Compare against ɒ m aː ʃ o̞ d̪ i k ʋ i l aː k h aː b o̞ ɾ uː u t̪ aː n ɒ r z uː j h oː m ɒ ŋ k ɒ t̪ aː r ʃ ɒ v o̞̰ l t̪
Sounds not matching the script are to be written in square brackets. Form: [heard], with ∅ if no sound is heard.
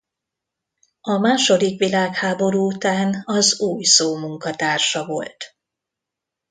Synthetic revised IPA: ɒ m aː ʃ o̞ d̪ i k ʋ i l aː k h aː b o̞ ɾ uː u t̪ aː n ɒ [∅] z uː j [s] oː m [u] ŋ k ɒ t̪ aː r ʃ ɒ v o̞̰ l t̪